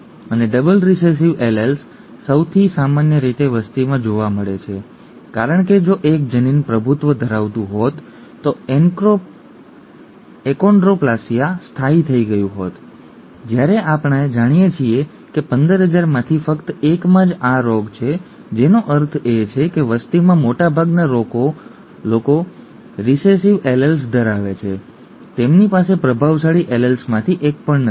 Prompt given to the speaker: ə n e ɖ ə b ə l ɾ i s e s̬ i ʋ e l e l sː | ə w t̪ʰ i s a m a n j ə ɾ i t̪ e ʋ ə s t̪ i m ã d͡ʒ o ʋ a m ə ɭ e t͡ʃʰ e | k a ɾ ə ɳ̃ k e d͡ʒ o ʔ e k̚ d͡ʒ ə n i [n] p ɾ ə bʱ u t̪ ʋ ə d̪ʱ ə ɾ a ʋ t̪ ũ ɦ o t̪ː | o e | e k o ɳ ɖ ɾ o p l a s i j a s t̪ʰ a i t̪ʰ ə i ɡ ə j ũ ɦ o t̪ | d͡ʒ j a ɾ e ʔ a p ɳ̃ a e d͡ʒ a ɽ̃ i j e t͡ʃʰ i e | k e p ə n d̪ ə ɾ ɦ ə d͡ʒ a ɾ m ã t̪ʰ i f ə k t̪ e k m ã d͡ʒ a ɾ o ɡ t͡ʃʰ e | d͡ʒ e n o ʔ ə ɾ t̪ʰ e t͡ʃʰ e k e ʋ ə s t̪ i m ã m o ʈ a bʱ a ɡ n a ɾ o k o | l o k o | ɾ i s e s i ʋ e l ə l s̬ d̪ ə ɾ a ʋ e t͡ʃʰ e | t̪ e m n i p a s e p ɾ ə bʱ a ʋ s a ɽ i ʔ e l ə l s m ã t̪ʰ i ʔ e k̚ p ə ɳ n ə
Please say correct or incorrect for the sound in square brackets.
correct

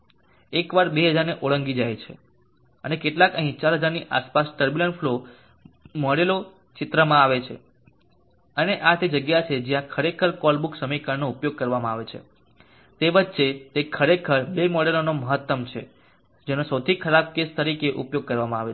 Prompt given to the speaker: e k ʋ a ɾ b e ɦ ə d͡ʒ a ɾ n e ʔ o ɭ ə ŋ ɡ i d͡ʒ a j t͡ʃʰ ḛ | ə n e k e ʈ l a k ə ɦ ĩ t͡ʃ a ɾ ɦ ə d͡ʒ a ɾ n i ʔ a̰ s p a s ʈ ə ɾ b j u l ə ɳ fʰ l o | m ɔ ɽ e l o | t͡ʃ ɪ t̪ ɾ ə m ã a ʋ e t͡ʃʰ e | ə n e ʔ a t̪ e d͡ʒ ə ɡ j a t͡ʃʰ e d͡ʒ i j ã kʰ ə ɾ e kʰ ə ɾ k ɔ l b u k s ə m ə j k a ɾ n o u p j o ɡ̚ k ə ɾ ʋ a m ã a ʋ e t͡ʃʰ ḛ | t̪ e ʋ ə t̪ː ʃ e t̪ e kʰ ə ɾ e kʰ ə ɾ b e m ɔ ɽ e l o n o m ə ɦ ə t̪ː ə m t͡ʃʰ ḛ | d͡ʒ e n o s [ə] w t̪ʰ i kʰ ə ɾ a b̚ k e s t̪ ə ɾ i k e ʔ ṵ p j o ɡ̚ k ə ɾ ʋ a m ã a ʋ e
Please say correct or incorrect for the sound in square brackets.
correct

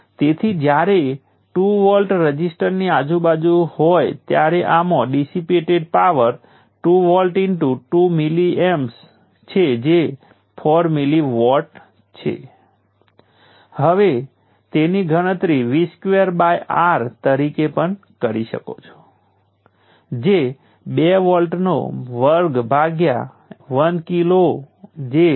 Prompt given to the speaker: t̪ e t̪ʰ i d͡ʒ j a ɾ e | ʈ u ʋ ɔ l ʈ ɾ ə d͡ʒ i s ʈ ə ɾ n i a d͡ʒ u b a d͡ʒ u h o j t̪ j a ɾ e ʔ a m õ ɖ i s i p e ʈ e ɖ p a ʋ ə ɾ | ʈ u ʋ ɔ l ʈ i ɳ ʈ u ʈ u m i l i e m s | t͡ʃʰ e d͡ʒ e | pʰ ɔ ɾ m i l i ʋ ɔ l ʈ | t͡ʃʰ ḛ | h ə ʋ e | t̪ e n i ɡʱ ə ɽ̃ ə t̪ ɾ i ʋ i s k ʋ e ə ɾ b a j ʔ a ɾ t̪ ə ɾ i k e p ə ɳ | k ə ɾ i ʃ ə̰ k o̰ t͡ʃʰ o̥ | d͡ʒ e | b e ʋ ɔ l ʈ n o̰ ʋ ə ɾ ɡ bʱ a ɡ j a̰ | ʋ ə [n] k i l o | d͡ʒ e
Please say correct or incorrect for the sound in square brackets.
correct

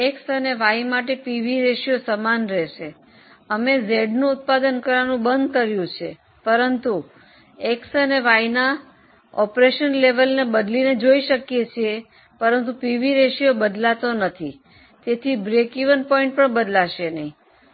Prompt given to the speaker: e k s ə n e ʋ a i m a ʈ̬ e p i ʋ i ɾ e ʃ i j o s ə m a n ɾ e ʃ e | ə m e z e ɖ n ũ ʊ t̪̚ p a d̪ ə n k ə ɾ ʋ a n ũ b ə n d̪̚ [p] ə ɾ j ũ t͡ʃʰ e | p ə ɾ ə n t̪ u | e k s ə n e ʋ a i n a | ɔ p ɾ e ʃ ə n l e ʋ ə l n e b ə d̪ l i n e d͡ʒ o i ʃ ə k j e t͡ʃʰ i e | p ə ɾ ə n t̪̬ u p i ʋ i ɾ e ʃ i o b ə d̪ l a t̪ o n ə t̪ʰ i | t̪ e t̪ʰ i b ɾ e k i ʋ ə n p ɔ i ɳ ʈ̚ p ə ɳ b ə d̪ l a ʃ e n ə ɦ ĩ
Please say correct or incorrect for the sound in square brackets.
incorrect: k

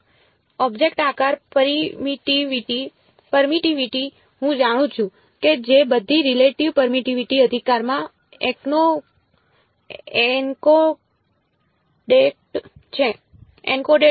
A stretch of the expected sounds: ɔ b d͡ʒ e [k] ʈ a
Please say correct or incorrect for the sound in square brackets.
correct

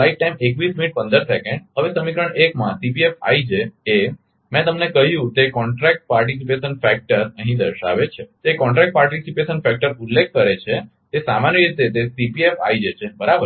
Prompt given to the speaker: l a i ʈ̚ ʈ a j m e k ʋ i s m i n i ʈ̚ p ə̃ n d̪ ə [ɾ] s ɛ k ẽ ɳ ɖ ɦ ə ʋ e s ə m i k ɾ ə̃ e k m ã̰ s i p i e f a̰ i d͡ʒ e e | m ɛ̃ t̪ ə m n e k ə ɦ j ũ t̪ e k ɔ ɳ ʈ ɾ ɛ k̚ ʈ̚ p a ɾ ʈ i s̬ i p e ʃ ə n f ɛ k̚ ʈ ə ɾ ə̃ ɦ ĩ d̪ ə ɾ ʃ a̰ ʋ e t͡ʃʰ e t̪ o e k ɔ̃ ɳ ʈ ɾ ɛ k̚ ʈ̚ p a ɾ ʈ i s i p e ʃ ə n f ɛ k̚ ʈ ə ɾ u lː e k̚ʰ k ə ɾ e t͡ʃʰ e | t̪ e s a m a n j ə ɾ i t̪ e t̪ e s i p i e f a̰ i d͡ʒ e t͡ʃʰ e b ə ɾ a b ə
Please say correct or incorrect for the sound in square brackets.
correct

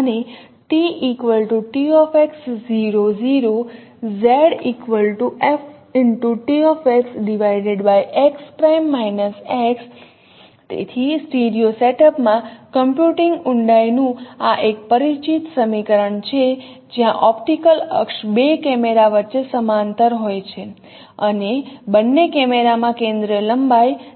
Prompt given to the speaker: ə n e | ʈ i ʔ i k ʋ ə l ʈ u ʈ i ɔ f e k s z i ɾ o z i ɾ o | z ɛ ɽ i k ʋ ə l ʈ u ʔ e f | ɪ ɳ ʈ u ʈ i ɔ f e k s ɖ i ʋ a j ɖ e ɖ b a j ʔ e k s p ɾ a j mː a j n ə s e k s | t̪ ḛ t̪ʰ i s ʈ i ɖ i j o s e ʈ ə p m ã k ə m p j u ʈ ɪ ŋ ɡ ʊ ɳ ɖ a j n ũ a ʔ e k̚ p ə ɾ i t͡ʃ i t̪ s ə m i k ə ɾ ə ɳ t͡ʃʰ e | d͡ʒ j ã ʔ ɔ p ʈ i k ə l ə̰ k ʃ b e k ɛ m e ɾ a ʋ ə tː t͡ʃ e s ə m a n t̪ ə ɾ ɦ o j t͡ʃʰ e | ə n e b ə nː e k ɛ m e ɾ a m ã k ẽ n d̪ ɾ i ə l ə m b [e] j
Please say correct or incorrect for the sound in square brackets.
incorrect: a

